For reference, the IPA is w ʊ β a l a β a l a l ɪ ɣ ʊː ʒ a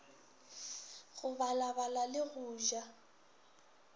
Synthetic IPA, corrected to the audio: ɣ ʊ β a l a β a l a l ɪ ɣ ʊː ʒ a